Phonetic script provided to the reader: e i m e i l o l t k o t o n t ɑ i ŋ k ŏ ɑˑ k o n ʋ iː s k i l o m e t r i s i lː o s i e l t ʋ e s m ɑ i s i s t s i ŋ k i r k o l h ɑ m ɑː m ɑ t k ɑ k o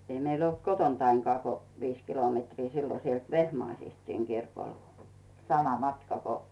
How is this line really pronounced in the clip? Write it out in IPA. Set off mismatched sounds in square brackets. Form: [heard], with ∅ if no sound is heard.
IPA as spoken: e i m e i l o l t k o t o n t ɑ i ŋ k ŏ ɑˑ k o [∅] ʋ iː s k i l o m e t r [iː] s i lː o s i e l t ʋ e [h] m ɑ i s i s t s i ŋ k i r k o l [s] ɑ m [ɑ] m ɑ t k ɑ k o